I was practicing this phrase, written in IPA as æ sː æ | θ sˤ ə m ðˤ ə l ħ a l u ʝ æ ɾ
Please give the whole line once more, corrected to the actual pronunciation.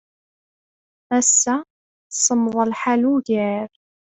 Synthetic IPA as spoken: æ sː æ | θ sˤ ə m ðˤ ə l ħ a l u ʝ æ ɾ

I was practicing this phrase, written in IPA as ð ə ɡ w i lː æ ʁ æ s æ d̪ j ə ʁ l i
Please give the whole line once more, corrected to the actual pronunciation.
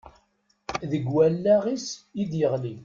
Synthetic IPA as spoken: ð ə ɡ w æ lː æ ʁ i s i d̪ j ə ʁ l i

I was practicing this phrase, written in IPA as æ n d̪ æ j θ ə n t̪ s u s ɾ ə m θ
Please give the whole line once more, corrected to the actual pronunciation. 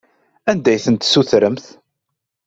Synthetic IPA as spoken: æ n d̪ æ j θ ə n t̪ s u θ ɾ ə m θ

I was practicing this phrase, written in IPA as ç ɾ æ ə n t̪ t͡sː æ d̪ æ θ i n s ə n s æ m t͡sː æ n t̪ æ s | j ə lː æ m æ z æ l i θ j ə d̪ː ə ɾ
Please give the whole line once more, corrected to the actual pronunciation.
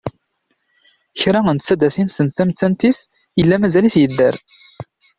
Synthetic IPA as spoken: ç ɾ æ ə n t̪ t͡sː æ d̪ æ θ i n s ə n θ æ m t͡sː æ n t̪ i s | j ə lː æ m æ z æ l i θ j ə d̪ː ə ɾ

